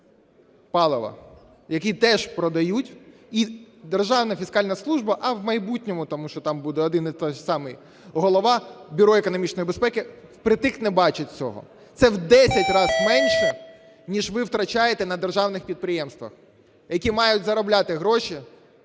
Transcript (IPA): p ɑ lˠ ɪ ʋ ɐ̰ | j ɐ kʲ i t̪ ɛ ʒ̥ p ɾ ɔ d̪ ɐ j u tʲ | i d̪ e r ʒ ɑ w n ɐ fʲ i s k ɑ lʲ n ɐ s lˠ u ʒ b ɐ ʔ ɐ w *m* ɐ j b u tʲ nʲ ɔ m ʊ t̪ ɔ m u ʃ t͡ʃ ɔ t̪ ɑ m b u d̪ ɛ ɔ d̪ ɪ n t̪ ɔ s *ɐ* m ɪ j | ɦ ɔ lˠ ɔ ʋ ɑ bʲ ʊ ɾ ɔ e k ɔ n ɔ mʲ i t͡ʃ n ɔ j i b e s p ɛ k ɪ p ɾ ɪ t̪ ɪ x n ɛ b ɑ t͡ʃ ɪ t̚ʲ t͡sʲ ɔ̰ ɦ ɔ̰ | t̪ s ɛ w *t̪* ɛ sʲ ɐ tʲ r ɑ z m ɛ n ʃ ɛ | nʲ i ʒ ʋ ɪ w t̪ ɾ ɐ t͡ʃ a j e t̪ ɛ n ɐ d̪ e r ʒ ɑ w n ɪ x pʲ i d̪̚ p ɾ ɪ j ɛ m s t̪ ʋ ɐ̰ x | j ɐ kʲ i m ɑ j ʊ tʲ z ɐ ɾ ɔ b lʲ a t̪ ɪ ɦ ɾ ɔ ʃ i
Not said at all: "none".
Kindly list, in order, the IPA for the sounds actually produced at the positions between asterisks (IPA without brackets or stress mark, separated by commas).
m, ɑ, d̪